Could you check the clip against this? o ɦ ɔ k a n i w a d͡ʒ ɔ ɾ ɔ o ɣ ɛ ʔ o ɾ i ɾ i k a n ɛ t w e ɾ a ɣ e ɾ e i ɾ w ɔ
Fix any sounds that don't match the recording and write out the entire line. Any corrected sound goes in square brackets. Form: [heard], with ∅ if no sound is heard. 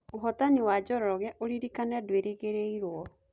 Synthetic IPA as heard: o ɦ ɔ [t] a n i w a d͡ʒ ɔ ɾ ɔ [ɔ] ɣ ɛ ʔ o ɾ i ɾ i k a n ɛ [d] w e ɾ [e] ɣ e ɾ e i ɾ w ɔ

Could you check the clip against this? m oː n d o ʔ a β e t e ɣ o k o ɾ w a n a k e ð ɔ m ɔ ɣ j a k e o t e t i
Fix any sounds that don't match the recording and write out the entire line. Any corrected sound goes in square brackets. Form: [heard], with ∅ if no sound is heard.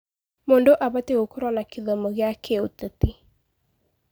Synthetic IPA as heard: m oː n d o ʔ a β [a] t e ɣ o k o ɾ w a n a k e ð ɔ m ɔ ɣ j a k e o t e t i

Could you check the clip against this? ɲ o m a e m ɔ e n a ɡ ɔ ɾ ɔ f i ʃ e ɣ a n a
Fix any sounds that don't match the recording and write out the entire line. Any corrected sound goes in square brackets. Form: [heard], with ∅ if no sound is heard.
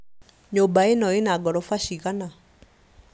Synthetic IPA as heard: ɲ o [b] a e [n] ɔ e n a ɡ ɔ ɾ ɔ f [a] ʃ [i] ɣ a n a

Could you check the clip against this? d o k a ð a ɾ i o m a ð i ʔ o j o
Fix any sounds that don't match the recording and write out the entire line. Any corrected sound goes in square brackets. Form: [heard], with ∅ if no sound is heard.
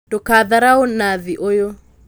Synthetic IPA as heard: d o k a ð a ɾ [a] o [n] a ð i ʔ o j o

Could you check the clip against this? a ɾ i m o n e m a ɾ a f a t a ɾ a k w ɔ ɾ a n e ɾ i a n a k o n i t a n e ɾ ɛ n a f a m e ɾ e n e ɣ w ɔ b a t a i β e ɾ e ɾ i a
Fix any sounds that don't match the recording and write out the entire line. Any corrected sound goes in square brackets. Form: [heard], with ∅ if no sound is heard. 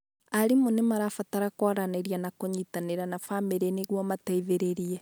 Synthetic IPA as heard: a ɾ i m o n e m a ɾ a f a t a ɾ a k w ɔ ɾ a n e ɾ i a n a k o [ɲ] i t a n e ɾ [a] n a f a m e ɾ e n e ɣ w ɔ [m] a t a i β e ɾ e ɾ i [ɛ]

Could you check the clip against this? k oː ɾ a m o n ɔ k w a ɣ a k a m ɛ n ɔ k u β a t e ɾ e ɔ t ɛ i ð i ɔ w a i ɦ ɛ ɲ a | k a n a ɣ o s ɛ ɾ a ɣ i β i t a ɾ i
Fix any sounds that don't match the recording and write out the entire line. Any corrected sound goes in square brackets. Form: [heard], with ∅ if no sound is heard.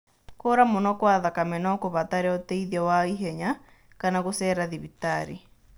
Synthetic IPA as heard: k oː ɾ a m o n ɔ k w a [ð] a k a m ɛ n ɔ k [o] β a t [a] ɾ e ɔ t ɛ i ð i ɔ w a i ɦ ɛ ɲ a | k a n a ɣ o s ɛ ɾ a [ð] i β i t a ɾ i

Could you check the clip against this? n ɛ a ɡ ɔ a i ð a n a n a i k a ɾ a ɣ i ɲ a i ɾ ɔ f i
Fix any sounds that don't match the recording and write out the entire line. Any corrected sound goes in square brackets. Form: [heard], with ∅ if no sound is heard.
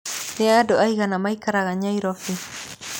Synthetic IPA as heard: n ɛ a [d] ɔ a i [ɣ] a n a [m] a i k a ɾ a ɣ [a] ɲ a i ɾ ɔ f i

